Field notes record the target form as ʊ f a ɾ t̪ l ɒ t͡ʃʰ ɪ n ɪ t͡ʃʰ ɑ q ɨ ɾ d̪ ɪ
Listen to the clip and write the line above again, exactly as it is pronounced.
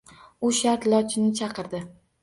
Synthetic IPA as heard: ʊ ʃ a ɾ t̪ l ɒ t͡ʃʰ ɪ n ɪ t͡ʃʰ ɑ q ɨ ɾ d̪ ɪ